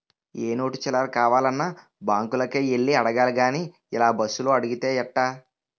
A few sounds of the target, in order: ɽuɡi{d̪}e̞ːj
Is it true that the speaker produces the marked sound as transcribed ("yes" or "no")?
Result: no